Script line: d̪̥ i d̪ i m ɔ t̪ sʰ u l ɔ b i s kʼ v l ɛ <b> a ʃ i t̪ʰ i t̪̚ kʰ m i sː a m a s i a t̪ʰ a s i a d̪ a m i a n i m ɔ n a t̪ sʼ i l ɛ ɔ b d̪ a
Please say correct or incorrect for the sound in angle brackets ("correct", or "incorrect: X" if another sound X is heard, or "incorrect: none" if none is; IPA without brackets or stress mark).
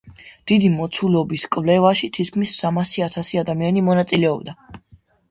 incorrect: v